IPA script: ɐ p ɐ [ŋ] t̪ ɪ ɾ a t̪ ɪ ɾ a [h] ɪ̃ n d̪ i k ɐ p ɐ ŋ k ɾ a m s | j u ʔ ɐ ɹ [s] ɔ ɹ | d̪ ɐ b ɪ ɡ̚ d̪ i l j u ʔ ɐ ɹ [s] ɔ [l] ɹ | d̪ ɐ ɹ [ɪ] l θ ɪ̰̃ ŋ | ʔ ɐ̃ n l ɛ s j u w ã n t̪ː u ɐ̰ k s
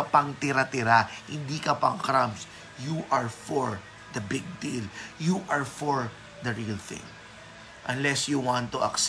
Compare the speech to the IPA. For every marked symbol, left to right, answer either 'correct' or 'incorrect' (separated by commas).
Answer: correct, correct, incorrect, incorrect, incorrect, incorrect